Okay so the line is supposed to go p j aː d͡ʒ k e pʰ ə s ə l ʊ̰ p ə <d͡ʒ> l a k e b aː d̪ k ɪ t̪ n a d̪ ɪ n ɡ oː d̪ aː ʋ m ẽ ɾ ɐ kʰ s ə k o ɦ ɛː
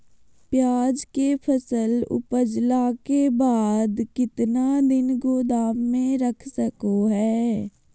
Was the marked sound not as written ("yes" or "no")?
no